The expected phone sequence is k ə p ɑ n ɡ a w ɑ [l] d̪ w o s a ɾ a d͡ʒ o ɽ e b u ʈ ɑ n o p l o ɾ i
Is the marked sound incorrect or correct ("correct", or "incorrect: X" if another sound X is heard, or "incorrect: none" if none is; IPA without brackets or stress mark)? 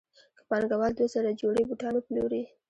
correct